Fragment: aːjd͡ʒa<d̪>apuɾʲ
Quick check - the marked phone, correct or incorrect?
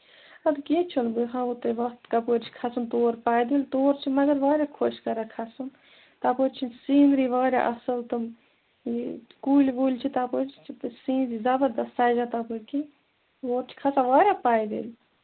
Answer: incorrect